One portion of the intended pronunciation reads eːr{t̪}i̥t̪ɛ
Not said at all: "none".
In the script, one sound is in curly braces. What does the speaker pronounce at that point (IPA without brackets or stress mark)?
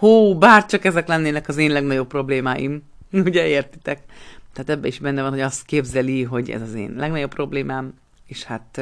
t̪